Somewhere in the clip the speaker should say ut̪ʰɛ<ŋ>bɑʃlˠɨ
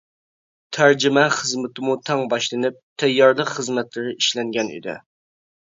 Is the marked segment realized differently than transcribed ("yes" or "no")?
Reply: no